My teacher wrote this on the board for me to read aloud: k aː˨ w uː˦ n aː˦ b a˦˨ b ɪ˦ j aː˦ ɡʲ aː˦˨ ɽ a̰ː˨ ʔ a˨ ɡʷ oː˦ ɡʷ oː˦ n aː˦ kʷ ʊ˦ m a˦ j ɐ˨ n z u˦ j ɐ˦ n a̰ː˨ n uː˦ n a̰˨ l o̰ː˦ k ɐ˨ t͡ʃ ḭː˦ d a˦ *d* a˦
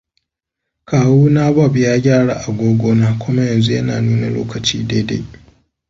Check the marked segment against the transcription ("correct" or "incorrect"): correct